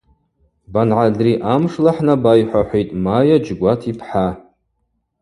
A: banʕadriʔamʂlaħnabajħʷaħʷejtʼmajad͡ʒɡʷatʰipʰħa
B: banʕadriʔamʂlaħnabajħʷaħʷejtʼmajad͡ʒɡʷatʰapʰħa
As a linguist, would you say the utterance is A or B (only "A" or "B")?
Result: A